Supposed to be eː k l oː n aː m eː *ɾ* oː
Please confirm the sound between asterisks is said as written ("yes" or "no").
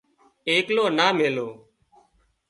no